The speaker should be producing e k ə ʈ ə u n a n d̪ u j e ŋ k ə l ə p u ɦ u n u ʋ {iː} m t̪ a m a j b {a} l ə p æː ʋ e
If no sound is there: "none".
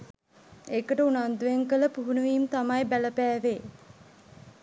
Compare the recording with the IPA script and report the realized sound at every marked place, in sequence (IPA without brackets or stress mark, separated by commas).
iː, æ